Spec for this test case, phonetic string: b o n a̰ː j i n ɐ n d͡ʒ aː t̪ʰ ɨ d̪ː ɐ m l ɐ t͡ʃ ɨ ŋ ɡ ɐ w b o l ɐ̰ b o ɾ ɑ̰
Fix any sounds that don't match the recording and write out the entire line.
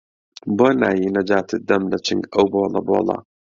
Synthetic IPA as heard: b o n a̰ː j i n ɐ d͡ʒ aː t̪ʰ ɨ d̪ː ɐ m l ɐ t͡ʃ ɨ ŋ ɡ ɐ w b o l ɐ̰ b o l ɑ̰